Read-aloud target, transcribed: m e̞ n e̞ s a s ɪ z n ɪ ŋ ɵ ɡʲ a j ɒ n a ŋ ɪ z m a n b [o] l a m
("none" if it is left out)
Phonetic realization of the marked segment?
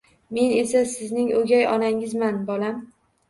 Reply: ɒ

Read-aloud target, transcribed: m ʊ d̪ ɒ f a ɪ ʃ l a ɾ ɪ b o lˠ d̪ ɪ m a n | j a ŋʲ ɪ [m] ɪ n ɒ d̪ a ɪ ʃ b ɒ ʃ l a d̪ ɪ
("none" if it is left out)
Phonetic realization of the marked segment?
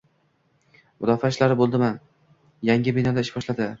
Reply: b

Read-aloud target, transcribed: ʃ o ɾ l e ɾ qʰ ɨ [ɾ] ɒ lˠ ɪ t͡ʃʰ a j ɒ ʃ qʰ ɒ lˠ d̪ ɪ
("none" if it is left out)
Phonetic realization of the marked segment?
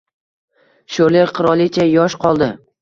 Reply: ɾ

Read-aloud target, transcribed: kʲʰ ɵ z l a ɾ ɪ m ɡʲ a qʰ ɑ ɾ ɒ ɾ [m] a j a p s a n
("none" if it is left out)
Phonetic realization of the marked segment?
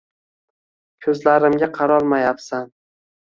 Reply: m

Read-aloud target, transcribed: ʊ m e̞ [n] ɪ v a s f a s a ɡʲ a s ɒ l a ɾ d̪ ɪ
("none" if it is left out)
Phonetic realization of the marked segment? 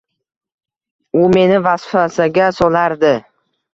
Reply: n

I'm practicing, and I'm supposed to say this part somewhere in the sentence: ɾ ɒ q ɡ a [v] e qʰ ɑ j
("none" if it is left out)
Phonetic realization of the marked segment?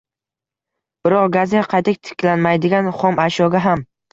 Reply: z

